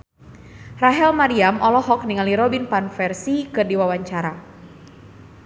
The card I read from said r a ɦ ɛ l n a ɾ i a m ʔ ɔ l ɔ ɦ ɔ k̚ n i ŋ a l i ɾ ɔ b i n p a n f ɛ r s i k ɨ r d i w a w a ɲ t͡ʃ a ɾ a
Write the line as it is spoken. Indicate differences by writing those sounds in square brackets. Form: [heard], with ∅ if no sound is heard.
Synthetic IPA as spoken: r a ɦ ɛ l [m] a ɾ i a m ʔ ɔ l ɔ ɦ ɔ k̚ n i ŋ a l i ɾ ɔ b i n p a n f ɛ r s i k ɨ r d i w a w a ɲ t͡ʃ a ɾ a